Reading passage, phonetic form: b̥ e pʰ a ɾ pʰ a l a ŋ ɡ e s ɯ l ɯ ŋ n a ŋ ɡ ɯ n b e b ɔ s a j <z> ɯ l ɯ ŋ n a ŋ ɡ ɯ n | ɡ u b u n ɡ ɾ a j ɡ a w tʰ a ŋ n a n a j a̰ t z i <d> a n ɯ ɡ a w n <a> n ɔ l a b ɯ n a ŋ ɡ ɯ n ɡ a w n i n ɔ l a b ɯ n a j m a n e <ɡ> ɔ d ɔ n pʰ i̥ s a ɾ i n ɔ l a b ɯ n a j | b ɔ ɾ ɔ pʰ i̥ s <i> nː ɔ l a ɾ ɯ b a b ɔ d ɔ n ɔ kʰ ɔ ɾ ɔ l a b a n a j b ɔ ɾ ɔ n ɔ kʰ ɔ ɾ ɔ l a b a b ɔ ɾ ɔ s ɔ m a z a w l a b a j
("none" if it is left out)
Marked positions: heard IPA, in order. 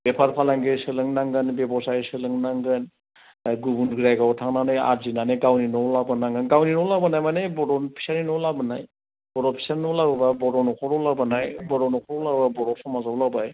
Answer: s, n, i, b, a

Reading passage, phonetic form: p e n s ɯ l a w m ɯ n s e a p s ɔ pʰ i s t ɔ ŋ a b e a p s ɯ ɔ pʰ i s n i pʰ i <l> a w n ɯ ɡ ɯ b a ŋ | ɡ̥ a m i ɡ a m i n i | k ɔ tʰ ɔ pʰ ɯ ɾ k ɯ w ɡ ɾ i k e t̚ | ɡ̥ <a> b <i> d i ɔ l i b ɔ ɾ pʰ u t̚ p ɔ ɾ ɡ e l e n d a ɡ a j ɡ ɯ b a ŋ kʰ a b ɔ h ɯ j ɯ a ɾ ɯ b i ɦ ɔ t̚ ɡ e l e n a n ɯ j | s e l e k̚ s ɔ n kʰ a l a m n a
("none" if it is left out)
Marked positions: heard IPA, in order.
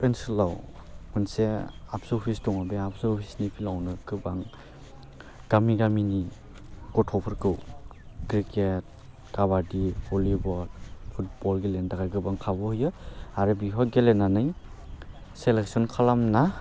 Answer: l, a, a

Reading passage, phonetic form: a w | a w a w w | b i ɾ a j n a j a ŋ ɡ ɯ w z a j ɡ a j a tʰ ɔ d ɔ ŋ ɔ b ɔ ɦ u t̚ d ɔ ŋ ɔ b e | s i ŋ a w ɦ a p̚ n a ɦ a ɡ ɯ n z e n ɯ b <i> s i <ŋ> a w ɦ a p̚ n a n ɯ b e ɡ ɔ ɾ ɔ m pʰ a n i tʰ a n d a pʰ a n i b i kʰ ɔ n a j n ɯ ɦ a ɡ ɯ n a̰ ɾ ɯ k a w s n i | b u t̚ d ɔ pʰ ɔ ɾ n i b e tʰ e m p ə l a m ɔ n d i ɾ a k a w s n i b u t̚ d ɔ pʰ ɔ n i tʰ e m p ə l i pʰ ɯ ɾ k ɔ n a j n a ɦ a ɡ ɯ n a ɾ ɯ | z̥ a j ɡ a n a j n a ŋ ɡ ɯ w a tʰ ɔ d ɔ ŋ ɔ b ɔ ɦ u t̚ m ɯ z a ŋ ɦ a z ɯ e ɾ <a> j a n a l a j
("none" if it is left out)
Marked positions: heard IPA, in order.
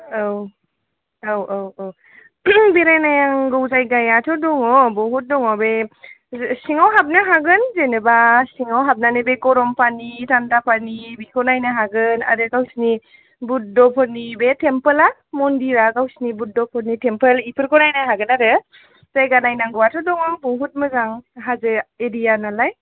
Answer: a, ŋ, i

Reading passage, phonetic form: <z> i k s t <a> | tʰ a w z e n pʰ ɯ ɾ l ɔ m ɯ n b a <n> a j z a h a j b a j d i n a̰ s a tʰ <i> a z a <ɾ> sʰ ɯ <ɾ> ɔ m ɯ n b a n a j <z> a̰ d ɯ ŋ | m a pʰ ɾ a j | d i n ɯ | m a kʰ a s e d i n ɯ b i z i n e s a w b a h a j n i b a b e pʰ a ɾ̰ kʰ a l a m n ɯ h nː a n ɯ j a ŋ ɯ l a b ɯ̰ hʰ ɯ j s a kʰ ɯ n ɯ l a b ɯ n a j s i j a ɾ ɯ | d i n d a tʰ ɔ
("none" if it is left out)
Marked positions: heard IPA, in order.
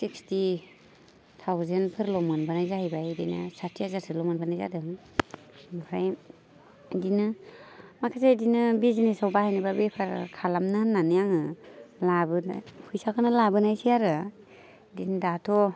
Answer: s, i, n, i, ɾ, l, z

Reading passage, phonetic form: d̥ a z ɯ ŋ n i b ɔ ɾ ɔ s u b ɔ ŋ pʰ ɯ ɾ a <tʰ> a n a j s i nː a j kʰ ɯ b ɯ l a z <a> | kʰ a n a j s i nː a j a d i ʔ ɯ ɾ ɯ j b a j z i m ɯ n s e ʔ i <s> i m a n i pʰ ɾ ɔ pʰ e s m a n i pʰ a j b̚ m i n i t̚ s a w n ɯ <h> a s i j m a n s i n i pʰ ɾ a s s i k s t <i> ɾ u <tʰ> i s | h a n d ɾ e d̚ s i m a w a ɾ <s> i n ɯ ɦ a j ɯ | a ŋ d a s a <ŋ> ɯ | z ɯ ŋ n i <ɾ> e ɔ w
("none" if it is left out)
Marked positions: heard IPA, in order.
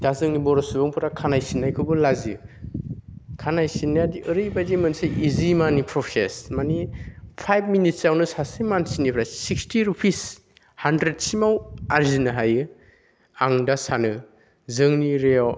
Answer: kʰ, i, z, s, i, pʰ, z, n, ɾ

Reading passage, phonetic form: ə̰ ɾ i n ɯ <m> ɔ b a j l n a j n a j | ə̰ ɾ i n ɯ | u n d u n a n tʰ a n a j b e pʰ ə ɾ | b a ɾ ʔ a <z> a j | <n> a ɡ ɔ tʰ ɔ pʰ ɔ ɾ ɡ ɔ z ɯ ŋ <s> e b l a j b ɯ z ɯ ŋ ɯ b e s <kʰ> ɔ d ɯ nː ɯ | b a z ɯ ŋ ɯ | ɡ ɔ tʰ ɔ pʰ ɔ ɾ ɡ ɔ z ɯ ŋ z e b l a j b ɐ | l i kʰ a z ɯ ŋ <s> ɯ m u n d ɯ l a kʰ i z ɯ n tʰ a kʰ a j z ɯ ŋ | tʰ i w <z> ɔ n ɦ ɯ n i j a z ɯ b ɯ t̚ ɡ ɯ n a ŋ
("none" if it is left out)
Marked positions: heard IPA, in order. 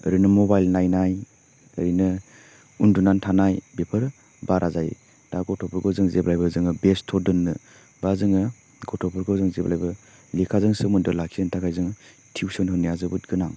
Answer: m, z, d, z, tʰ, s, s

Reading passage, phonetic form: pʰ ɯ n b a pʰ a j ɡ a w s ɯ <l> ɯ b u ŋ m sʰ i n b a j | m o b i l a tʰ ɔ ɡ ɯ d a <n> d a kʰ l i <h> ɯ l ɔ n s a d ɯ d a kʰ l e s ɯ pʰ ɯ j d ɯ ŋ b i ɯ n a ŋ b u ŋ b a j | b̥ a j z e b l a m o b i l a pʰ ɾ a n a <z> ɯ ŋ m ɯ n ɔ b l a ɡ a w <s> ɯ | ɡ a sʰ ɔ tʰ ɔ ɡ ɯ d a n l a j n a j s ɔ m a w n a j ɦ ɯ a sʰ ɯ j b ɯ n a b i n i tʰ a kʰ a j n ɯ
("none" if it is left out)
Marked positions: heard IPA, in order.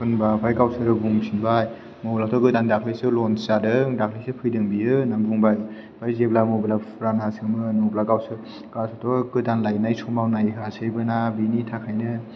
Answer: ɾ, n, s, s, s

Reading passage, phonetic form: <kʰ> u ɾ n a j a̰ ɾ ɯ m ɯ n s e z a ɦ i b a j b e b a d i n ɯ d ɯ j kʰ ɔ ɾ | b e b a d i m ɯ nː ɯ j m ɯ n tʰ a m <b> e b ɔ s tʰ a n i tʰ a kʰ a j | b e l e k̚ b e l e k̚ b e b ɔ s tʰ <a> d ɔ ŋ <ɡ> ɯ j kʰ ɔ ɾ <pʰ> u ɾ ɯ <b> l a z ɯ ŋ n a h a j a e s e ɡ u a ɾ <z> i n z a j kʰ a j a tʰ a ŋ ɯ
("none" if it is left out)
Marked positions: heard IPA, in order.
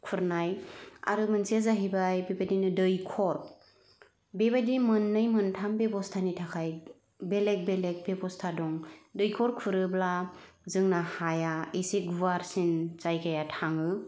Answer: kʰ, b, a, d, kʰ, b, s

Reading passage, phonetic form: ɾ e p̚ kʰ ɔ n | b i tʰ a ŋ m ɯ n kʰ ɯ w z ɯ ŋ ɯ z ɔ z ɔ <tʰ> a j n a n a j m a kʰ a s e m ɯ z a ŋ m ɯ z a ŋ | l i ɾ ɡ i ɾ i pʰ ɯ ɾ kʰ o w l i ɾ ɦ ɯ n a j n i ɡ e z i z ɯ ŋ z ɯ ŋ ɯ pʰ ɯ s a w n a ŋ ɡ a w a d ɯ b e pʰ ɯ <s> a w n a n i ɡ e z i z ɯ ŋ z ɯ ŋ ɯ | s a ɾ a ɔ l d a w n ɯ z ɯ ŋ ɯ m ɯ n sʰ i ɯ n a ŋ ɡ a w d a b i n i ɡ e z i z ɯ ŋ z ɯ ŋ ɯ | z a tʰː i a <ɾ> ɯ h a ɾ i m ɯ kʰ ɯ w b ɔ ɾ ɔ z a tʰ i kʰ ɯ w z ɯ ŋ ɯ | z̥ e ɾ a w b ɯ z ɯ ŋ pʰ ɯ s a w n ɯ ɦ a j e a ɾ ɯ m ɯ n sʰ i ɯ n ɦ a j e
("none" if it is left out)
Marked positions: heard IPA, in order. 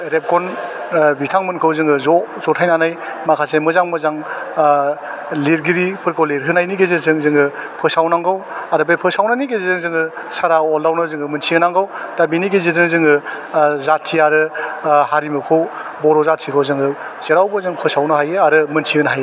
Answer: tʰ, s, ɾ

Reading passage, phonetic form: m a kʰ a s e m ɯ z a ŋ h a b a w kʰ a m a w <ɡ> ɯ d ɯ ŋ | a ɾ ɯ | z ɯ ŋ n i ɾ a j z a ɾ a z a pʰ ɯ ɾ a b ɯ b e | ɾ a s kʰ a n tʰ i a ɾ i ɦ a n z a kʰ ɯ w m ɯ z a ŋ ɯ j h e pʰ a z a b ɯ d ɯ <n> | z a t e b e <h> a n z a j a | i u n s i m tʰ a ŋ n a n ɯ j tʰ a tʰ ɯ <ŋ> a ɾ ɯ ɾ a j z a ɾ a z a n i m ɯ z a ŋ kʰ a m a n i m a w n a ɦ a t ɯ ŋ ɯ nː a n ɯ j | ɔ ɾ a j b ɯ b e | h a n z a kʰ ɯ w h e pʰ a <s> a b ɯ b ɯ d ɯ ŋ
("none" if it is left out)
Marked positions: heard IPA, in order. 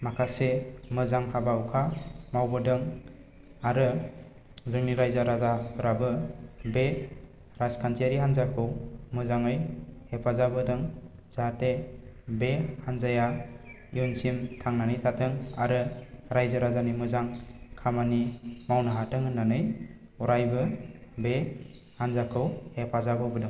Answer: b, ŋ, h, ŋ, z

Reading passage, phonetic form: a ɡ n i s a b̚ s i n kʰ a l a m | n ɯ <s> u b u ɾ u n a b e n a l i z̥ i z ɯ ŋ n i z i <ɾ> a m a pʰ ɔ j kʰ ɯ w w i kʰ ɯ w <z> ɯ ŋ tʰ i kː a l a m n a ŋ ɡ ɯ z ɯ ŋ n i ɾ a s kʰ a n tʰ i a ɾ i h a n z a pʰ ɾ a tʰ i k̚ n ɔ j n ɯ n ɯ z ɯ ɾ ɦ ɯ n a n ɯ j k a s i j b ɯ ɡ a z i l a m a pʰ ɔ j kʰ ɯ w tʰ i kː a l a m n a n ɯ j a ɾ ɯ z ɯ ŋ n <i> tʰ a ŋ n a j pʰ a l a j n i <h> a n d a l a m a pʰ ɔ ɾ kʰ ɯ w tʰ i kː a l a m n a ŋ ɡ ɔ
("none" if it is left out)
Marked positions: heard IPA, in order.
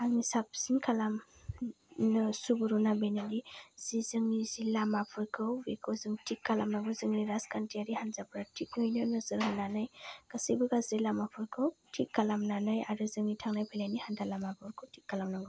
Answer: s, l, z, i, h

